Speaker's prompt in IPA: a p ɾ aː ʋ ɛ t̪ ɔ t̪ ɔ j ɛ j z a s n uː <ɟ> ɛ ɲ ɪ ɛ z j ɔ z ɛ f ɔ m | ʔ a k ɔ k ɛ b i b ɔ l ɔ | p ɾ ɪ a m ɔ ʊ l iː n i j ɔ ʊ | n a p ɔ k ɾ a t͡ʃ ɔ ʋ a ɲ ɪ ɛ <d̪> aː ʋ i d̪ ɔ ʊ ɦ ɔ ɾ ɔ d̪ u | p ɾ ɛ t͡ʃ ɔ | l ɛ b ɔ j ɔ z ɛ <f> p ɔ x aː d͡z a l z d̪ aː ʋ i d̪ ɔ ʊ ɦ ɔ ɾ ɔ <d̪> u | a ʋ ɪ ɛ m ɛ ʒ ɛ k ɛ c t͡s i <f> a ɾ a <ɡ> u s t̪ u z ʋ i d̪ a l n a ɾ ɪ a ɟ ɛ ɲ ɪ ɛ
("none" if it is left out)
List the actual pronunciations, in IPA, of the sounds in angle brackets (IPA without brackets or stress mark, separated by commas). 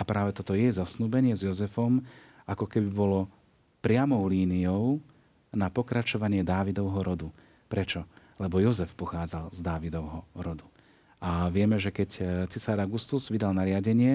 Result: b, d̪, f, d̪, s, ɡ